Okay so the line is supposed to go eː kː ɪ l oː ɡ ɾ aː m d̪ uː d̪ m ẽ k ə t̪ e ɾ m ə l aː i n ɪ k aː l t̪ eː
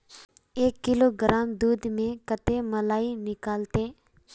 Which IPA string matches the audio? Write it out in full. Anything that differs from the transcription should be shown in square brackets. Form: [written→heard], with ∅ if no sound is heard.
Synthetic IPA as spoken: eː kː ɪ l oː ɡ ɾ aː m d̪ uː d̪ m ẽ k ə t̪ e [ɾ→∅] m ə l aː i n ɪ k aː l t̪ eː